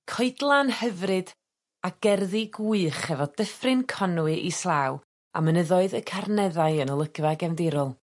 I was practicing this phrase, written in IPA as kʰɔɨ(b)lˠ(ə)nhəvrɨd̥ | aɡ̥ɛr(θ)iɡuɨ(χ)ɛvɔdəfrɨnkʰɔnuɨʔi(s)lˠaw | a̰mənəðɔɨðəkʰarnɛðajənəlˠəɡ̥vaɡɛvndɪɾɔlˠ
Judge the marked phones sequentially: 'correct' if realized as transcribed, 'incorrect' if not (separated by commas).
incorrect, incorrect, incorrect, correct, correct